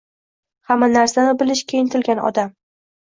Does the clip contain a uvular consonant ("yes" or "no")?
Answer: no